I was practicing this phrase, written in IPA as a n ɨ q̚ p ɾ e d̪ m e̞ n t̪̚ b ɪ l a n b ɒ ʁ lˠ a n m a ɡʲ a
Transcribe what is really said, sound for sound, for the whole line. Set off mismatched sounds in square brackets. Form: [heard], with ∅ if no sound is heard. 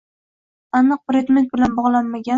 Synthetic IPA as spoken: a n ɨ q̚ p ɾ e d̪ m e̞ n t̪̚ b ɪ l a n b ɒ ʁ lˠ a n m a ɡʲ a